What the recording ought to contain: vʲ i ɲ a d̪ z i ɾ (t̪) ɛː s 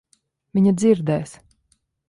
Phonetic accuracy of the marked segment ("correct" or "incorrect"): incorrect